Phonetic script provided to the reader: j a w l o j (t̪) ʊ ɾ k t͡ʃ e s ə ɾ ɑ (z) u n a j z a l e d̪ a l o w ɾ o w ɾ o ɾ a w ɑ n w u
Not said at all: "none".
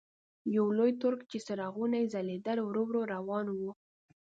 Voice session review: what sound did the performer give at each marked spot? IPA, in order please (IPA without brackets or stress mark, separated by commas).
t̪, ɣ